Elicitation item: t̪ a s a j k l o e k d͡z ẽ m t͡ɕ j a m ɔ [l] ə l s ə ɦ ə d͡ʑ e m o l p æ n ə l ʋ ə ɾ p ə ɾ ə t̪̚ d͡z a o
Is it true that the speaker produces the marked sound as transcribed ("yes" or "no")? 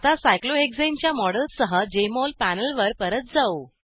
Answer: no